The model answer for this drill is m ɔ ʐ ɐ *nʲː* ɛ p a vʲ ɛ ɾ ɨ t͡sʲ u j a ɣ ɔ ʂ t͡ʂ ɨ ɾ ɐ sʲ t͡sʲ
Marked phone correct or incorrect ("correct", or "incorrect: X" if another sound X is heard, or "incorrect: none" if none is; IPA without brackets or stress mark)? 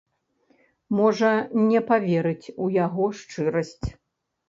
incorrect: nʲ